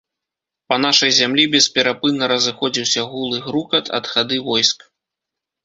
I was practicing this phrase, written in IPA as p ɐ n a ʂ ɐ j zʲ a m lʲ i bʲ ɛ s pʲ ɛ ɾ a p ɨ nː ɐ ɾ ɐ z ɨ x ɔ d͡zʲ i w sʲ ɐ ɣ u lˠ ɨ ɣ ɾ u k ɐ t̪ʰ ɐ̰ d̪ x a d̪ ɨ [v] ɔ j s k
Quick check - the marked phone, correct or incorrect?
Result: correct